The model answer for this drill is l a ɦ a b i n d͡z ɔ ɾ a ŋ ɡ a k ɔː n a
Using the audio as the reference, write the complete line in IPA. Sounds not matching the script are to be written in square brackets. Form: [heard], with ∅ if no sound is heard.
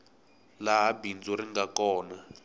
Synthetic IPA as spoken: l a ɦ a b i n d͡z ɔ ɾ [i] ŋ ɡ a k ɔː n a